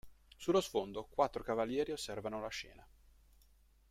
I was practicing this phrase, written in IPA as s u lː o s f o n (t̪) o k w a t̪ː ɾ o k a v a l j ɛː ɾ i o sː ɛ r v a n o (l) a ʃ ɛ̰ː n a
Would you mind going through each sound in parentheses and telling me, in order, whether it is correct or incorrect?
incorrect: d̪, correct

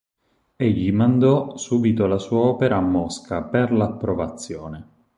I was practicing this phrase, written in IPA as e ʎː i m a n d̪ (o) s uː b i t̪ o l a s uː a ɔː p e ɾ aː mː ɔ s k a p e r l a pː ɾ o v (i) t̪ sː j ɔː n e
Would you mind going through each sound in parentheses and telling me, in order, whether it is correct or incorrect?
incorrect: ɔ, incorrect: a

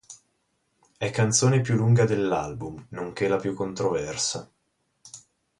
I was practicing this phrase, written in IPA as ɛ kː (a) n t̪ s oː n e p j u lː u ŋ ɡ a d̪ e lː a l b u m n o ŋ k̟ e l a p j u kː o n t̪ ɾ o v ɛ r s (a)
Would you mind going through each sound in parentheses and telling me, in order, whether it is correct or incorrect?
correct, correct

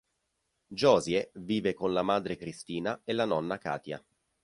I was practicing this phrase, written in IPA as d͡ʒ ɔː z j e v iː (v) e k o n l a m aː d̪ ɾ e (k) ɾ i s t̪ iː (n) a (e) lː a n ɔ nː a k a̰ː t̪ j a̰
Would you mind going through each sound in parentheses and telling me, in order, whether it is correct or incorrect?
correct, correct, correct, correct

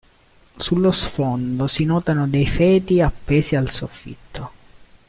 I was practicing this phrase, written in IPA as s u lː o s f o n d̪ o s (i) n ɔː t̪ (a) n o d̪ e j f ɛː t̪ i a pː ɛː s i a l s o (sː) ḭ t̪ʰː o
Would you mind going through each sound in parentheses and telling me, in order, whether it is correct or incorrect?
correct, correct, incorrect: fː

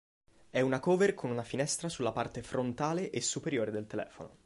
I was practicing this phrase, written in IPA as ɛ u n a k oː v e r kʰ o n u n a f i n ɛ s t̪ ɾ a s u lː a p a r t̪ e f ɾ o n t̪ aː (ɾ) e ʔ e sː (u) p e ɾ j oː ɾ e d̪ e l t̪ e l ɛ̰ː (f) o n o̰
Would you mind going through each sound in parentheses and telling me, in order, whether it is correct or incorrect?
incorrect: l, correct, correct

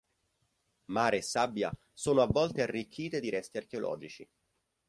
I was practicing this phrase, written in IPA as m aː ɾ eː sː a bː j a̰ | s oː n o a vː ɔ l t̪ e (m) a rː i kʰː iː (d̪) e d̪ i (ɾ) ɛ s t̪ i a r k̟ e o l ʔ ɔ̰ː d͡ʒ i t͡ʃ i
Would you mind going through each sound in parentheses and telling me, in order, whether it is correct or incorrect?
incorrect: none, incorrect: t̪, correct

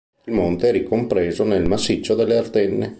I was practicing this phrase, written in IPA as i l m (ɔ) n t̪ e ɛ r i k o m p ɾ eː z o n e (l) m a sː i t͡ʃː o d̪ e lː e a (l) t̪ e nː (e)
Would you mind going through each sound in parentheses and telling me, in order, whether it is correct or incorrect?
incorrect: o, correct, incorrect: r, correct

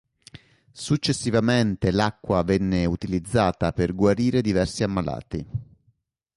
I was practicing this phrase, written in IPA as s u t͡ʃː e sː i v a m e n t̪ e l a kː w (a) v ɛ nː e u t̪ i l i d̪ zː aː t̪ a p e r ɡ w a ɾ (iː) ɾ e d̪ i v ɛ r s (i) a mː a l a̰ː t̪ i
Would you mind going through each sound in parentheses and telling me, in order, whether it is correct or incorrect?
correct, correct, correct

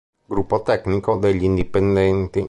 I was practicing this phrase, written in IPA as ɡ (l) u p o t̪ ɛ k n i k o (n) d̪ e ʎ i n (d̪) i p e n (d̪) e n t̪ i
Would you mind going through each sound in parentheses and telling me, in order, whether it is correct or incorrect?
incorrect: ɾ, incorrect: none, correct, correct

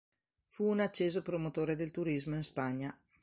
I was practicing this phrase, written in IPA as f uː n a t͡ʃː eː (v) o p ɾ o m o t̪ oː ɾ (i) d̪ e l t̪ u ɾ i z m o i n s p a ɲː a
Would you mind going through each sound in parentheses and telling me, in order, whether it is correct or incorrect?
incorrect: z, incorrect: e

